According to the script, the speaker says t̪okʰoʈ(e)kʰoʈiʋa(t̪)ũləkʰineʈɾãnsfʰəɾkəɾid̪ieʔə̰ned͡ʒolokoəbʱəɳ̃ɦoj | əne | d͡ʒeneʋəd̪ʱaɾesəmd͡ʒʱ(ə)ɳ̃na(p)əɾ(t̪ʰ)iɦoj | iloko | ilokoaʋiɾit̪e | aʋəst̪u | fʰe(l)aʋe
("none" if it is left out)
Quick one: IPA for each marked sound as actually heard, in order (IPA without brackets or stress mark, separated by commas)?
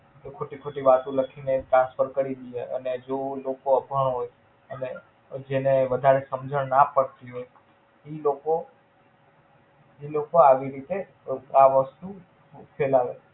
i, t̪, ə, p, t̪, l